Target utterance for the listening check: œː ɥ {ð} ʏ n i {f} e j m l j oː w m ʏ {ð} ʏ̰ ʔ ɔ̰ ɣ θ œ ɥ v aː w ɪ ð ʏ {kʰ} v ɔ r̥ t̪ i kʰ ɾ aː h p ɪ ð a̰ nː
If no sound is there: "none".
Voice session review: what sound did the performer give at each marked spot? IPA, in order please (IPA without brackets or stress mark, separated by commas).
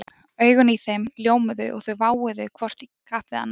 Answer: ɣ, θ, ð, kʰ